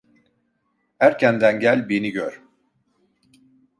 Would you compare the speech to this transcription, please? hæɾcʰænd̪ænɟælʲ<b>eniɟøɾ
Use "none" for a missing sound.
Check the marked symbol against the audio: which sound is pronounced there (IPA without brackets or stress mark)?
b